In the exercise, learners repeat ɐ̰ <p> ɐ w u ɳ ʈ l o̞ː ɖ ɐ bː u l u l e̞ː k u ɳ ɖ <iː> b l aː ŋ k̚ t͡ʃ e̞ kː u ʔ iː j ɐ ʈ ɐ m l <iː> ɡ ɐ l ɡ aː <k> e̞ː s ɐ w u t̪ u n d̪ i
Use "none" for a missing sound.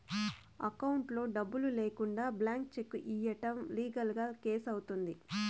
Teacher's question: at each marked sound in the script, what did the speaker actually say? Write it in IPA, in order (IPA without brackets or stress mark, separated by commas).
k, aː, iː, k